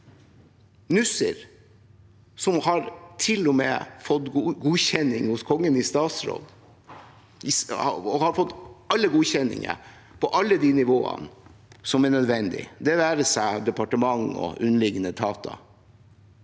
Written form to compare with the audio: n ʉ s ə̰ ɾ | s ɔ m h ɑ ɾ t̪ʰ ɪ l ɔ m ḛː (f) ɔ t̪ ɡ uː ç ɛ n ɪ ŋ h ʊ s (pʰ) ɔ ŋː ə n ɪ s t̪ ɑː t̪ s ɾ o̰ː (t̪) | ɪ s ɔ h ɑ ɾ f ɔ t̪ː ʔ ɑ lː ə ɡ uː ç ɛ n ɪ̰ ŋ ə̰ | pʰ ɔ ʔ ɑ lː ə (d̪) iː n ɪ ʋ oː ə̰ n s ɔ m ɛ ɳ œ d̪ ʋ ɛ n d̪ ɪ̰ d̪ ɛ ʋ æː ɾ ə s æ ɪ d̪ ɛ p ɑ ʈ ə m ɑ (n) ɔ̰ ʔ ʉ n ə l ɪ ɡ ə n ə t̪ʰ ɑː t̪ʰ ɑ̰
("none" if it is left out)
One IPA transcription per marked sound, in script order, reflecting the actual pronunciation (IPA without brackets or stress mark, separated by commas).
f, kʰ, d̪, d̪, ŋ